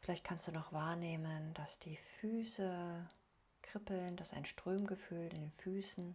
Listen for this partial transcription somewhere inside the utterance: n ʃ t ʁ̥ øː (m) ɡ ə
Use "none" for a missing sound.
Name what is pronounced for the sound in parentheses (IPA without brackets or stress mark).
m